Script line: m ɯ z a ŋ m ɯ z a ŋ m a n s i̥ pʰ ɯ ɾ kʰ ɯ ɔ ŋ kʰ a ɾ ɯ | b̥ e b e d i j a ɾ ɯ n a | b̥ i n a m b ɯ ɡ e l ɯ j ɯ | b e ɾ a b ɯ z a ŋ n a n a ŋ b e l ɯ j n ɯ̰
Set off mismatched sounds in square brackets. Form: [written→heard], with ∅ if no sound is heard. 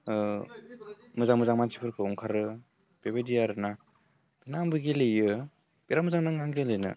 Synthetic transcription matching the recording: m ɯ z a ŋ m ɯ z a ŋ m a n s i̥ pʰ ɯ ɾ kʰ ɯ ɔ ŋ kʰ a ɾ ɯ | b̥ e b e d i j a ɾ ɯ n a | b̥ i n a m b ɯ ɡ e l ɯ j ɯ | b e ɾ a [b→m] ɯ z a ŋ n a [n→ŋ] a ŋ [b→ɡ] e l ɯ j n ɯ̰